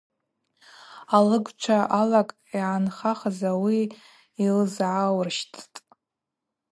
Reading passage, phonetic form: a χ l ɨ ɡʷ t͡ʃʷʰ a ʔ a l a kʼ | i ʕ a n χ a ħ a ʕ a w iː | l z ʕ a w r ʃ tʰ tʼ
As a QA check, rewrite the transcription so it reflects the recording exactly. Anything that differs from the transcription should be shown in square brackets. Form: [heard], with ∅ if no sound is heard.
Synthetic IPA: a [∅] l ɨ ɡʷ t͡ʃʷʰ a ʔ a l a kʼ | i ʕ a n χ a [χ] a [z] a w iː | l z ʕ a w r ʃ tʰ tʼ